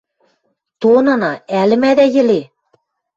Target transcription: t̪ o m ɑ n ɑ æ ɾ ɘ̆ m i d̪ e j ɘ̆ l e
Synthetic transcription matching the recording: t̪ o n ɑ n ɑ æ l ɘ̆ m æ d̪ æ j ɘ̆ l e